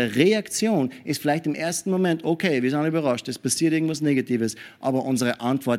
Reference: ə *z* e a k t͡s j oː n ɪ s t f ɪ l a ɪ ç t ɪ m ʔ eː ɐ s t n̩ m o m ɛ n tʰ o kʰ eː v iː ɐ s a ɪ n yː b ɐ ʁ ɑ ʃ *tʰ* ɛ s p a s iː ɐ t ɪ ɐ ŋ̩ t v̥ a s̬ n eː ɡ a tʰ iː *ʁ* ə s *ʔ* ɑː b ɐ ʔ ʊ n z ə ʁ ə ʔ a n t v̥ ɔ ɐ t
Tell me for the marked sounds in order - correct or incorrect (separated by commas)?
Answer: incorrect, incorrect, incorrect, correct